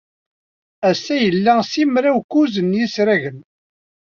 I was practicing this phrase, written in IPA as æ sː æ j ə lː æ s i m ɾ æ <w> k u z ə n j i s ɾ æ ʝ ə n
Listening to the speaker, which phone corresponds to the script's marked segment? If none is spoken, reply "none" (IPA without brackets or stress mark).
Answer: w